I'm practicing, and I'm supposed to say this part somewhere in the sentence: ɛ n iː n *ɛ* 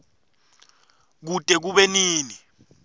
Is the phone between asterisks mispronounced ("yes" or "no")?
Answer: yes